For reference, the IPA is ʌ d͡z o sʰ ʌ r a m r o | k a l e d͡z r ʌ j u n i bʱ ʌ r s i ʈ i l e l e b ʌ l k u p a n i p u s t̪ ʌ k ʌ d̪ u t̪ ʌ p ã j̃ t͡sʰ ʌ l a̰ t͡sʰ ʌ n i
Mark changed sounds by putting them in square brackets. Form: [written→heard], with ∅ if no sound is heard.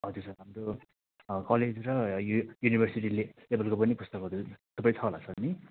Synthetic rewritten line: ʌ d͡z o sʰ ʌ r a m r o | k [a→ʌ] l e d͡z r ʌ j u n i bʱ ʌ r s i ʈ i l e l e b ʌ l k [u→o] p [a→ʌ] n i p u s t̪ ʌ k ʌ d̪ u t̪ ʌ p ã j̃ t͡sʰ ʌ l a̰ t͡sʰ ʌ n i

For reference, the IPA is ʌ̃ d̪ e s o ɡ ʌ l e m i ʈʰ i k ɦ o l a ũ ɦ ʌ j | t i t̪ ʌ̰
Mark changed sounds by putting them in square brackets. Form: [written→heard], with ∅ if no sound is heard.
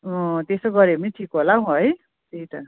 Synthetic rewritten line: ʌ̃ [d̪→t̪] e s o ɡ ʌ [l→ɾ] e m i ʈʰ i k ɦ o l a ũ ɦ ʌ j | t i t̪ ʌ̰

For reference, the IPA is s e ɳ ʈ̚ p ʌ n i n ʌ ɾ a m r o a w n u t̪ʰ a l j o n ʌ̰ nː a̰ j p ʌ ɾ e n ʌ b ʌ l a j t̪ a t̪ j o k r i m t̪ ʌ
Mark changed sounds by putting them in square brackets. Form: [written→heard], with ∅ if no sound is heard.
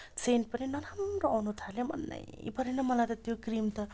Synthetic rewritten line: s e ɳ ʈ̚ p ʌ n i n ʌ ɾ a m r o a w n u t̪ʰ a l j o [n→m] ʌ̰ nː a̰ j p ʌ ɾ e n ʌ [b→m] ʌ l a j t̪ [a→ʌ] t̪ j o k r i m t̪ ʌ

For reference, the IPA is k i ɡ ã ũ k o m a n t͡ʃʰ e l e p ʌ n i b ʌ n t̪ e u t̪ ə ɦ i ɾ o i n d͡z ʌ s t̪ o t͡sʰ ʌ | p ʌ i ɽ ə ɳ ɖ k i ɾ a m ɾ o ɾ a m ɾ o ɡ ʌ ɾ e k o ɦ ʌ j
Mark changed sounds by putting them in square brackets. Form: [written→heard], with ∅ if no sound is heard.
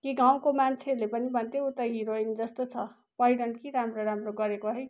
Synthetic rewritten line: k i ɡ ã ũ k o m a n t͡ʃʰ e l e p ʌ n i b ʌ n t̪ e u t̪ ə ɦ i ɾ o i n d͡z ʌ s t̪ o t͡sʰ ʌ | p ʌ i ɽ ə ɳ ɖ k i ɾ a m ɾ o ɾ a m ɾ o ɡ ʌ ɾ e k o ɦ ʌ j

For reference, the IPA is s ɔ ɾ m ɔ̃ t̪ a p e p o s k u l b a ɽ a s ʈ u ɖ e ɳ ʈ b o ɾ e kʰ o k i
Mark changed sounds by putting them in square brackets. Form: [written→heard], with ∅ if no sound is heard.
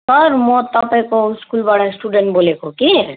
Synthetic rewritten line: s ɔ ɾ m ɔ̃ t̪ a p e [p→k] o s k u l b a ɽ a s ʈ u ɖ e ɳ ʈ b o [ɾ→l] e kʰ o k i

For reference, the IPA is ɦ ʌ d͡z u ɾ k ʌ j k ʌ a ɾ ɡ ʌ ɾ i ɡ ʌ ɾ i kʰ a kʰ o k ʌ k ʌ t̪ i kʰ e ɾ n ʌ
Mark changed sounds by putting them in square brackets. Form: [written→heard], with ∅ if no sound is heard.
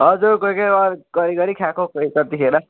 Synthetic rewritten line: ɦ ʌ d͡z u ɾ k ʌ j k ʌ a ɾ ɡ ʌ ɾ i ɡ ʌ ɾ i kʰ a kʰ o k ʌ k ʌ t̪ i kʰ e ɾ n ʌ

